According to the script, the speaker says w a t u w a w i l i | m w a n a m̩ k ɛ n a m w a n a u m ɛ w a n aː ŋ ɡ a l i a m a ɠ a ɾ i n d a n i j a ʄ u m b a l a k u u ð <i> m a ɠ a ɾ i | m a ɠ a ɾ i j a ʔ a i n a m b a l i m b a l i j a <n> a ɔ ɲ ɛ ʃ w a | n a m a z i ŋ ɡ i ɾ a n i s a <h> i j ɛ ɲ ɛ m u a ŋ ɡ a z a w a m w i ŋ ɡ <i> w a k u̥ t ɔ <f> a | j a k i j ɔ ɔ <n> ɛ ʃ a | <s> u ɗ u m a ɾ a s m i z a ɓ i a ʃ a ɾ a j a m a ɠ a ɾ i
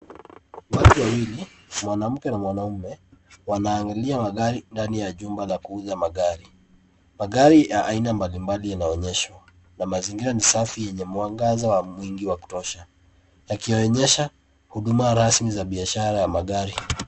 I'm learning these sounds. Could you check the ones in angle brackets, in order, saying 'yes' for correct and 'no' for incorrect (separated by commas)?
no, yes, no, yes, no, no, no